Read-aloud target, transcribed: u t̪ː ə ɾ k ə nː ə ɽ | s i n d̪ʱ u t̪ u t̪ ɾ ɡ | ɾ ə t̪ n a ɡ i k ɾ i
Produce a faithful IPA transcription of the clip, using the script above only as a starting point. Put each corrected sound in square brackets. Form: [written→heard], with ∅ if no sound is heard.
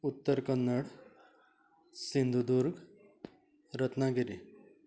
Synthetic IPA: u t̪ː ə ɾ k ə nː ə ɽ | s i n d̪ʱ u [t̪→d̪] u [t̪→∅] ɾ ɡ | ɾ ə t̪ n a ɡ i [k→∅] ɾ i